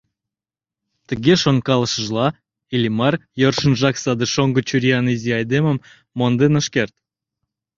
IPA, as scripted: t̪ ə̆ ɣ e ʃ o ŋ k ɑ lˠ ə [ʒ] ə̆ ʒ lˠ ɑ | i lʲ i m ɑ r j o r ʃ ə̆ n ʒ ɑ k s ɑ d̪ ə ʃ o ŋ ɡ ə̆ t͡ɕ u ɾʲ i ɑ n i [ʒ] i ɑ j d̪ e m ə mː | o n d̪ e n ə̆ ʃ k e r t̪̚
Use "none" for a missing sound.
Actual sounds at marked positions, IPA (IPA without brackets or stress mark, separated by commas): ʃ, z